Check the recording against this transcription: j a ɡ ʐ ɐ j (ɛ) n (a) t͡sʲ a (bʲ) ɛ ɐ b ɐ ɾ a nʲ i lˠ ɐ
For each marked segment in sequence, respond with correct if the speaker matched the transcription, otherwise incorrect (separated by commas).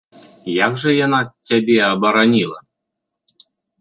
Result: incorrect, correct, correct